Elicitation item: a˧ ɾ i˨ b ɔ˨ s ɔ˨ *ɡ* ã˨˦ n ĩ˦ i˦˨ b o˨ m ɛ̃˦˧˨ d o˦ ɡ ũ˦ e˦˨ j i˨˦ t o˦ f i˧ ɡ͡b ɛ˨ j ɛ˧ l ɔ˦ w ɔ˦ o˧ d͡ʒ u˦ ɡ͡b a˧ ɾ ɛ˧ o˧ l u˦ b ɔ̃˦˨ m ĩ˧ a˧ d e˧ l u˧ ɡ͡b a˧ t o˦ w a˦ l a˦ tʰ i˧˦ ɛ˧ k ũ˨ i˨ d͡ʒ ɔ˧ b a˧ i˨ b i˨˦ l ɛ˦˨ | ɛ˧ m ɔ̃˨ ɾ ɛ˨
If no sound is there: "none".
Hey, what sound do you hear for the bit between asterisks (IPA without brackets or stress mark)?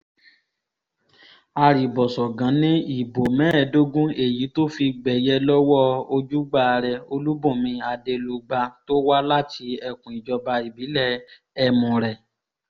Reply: ɡ